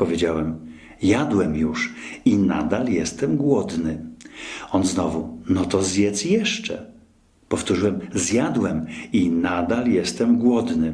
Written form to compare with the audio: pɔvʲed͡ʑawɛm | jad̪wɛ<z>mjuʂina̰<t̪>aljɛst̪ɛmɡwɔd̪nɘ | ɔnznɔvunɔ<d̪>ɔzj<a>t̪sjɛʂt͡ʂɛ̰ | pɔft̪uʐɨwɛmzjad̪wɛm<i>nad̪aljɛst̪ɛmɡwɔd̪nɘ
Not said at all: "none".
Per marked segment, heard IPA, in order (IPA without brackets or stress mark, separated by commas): none, d̪, t̪, ɛ, i